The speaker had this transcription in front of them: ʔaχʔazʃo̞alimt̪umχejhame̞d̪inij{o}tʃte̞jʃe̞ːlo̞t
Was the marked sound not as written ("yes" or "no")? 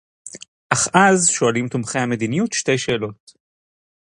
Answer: yes